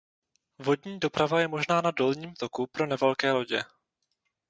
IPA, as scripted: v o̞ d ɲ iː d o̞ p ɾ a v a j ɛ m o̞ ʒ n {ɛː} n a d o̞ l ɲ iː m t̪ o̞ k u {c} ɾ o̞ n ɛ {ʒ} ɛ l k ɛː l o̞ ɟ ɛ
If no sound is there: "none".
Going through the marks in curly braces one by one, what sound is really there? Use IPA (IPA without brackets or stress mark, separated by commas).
aː, p, v